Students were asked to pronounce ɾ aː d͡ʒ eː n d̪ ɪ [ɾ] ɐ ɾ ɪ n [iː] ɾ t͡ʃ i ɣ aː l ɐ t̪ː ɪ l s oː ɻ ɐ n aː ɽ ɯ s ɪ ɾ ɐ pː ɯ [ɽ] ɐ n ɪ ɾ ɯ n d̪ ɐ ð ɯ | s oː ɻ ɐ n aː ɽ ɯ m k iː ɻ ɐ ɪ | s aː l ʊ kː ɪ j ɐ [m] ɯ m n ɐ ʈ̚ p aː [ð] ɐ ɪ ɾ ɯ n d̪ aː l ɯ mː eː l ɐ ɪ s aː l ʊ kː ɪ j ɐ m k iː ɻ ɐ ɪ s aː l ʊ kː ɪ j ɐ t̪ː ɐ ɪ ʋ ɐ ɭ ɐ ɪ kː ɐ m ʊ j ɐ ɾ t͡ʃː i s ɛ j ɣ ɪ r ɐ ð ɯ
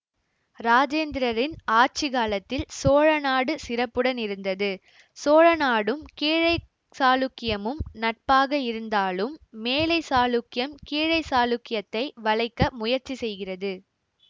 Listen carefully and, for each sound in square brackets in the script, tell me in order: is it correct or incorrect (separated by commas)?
correct, incorrect, correct, correct, incorrect